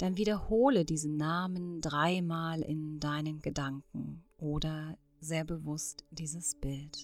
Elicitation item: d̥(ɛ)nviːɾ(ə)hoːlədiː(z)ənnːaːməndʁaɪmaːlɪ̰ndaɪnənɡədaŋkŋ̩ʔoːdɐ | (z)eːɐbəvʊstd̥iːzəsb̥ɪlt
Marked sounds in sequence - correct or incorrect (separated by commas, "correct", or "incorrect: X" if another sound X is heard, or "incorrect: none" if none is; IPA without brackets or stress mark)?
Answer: incorrect: a, incorrect: ɐ, correct, correct